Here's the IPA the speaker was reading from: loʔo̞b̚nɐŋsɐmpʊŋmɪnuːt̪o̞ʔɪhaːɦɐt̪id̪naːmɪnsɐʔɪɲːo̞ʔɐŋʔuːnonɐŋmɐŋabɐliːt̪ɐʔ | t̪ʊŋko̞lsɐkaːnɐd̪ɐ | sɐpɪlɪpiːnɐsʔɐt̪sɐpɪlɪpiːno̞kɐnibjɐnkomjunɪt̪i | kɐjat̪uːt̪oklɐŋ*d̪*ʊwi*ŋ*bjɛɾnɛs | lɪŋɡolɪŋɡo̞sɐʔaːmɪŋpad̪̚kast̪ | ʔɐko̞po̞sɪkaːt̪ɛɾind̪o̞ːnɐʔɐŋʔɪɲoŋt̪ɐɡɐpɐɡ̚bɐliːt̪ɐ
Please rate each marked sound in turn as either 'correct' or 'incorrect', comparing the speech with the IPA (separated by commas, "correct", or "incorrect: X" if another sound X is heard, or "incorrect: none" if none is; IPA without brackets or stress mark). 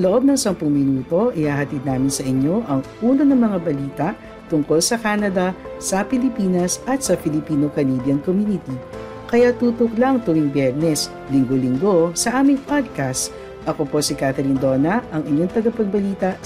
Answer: incorrect: t̪, correct